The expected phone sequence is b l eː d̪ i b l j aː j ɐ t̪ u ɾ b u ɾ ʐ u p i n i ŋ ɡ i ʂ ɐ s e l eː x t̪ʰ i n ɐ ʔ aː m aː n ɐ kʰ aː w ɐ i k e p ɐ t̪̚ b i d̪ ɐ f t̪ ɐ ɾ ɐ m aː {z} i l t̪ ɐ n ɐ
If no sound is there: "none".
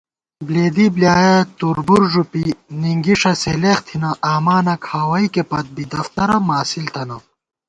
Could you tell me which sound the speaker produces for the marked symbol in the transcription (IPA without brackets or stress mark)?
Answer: s